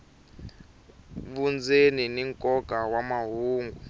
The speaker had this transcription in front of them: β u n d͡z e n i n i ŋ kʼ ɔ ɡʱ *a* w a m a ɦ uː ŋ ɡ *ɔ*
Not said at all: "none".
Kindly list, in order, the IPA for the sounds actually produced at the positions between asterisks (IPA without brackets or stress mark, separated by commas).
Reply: a, u